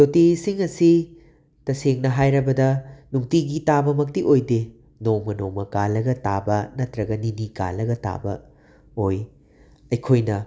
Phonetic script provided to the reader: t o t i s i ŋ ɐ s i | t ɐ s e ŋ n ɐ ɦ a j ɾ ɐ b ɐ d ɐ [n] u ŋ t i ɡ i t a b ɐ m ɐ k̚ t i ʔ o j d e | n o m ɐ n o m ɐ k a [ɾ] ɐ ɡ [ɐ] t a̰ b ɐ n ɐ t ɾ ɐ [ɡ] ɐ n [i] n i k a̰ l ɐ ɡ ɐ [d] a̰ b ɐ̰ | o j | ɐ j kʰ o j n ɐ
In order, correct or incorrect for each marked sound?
correct, incorrect: l, correct, correct, correct, incorrect: t

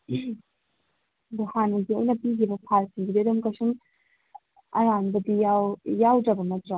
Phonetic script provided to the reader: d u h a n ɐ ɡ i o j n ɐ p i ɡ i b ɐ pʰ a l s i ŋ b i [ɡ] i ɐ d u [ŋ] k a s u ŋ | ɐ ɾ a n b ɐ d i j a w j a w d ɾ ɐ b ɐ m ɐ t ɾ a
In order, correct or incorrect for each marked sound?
incorrect: d, incorrect: m

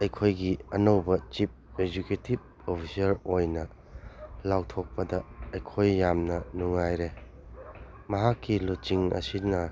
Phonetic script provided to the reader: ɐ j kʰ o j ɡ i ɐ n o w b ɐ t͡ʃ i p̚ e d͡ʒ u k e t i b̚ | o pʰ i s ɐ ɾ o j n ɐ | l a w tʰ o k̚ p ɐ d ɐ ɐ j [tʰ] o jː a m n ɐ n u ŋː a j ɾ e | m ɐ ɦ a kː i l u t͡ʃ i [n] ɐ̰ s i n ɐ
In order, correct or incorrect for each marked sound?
incorrect: kʰ, incorrect: ŋ

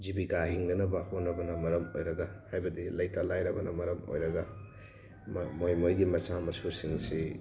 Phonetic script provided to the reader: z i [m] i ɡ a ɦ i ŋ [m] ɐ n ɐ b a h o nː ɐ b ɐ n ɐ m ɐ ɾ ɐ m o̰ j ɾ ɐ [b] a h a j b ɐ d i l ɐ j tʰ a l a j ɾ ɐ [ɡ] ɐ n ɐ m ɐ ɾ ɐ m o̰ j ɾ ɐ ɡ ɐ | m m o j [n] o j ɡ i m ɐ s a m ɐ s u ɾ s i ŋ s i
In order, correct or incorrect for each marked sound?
incorrect: b, incorrect: n, incorrect: ɡ, incorrect: b, incorrect: m

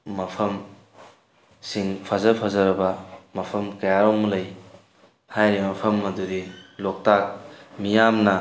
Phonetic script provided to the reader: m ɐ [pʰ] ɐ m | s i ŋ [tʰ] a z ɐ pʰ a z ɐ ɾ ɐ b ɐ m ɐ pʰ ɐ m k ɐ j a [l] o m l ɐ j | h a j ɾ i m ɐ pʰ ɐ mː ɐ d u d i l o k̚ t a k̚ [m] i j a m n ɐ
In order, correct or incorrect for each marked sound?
correct, incorrect: pʰ, incorrect: ɾ, correct

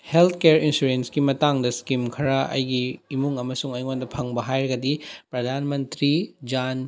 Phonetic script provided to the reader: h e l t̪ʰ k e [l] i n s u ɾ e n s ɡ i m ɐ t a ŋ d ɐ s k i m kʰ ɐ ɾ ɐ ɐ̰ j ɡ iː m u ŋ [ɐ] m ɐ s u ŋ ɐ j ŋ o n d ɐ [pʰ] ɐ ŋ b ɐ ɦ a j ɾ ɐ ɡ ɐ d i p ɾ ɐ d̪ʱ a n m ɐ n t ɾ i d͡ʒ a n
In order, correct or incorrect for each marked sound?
incorrect: ɾ, correct, correct

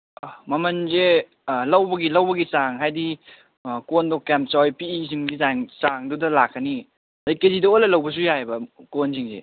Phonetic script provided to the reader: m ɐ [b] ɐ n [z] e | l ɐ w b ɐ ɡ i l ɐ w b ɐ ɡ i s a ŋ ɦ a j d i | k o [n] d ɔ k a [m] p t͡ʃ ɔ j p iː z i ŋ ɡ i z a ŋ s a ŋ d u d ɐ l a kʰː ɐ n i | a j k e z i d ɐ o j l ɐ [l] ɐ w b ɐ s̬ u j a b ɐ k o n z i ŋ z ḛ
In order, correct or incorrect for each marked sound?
incorrect: m, correct, correct, correct, correct

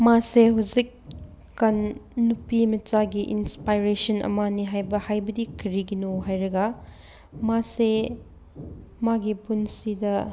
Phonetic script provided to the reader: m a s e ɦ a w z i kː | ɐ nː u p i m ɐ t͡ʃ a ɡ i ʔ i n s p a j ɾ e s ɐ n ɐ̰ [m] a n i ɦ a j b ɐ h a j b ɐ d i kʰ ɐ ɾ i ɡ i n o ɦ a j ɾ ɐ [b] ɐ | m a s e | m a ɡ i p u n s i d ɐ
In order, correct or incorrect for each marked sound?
correct, incorrect: ɡ

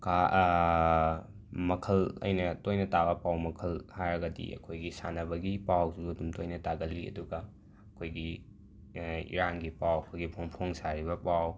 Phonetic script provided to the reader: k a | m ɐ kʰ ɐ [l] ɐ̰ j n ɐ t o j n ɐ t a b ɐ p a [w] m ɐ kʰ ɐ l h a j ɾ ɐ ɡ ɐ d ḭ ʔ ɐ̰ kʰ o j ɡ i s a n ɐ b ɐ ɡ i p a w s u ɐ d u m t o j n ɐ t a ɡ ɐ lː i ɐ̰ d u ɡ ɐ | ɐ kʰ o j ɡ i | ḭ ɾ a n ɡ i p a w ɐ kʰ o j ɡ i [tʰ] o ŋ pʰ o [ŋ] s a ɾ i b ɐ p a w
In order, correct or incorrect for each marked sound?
correct, correct, incorrect: pʰ, correct

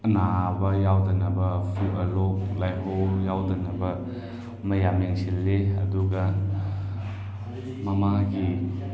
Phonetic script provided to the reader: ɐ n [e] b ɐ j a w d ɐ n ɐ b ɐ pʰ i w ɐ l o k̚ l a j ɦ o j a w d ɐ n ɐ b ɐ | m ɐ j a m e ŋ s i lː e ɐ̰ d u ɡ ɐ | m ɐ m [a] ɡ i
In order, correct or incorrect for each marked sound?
incorrect: a, correct

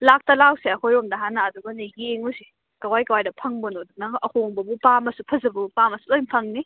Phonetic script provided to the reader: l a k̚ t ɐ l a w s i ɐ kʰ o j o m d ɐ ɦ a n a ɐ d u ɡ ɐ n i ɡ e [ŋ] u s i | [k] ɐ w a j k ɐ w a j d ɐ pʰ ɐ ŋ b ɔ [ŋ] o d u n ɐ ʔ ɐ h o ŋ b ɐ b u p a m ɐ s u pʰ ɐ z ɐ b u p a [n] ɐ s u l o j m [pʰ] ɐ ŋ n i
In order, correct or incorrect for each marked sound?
correct, correct, incorrect: n, incorrect: m, correct

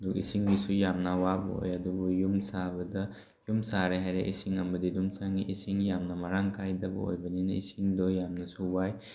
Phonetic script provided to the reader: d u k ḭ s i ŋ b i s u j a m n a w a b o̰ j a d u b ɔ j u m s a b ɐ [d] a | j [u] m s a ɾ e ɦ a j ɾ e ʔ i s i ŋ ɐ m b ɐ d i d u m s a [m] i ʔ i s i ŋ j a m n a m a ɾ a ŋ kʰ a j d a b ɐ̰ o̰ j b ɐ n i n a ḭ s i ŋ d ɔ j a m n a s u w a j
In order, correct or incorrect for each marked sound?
correct, correct, incorrect: ŋ

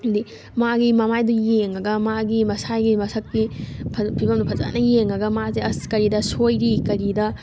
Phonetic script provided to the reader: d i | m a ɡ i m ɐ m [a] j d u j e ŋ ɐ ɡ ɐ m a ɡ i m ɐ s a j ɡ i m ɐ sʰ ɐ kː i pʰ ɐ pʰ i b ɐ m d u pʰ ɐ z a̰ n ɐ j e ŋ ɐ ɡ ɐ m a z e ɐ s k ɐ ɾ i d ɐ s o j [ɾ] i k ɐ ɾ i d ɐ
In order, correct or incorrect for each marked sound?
correct, correct

